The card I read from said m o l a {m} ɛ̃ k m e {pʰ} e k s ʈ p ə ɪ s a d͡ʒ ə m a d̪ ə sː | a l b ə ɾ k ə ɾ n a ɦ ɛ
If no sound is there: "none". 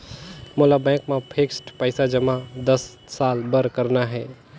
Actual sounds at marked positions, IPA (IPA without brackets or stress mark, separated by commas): b, pʰ